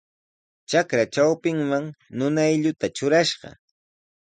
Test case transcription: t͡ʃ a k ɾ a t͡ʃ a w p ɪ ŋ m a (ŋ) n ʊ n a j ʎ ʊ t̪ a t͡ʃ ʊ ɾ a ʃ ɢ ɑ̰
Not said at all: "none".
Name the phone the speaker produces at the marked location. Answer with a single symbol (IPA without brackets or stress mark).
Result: ŋ